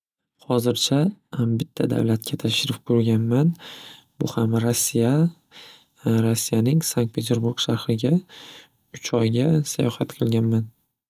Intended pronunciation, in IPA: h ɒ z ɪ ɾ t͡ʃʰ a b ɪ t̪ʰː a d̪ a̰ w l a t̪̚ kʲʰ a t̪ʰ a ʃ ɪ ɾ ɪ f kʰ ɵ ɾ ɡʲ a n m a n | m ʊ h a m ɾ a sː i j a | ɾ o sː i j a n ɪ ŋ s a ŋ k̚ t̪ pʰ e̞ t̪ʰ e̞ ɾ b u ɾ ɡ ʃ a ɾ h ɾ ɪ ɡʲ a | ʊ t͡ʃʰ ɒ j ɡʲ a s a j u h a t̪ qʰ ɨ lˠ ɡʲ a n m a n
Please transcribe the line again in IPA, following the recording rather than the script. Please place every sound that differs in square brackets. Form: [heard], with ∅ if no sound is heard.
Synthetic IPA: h ɒ z ɪ ɾ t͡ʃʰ a b ɪ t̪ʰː a d̪ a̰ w l a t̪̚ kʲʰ a t̪ʰ a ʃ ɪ ɾ ɪ f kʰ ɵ ɾ ɡʲ a n m a n | [b] ʊ h a m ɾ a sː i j a | ɾ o sː i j a n ɪ ŋ s a ŋ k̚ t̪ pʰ e̞ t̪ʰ e̞ ɾ b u ɾ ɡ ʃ a ɾ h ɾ ɪ ɡʲ a | ʊ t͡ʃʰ ɒ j ɡʲ a s a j [ɒ] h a t̪ qʰ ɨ lˠ ɡʲ a n m a n